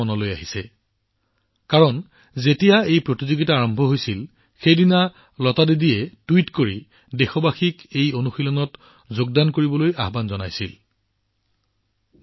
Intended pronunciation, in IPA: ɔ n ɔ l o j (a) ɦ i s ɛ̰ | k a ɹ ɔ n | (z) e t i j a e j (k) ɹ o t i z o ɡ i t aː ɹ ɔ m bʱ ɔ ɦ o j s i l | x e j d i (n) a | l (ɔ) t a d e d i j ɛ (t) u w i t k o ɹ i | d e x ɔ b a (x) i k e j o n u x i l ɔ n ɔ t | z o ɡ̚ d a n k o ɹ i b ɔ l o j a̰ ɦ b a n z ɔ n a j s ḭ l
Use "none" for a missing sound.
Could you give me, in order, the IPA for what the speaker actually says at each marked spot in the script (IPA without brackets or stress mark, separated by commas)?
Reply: a, z, p, n, ɔ, t, x